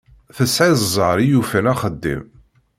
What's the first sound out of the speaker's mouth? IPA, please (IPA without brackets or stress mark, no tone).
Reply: θ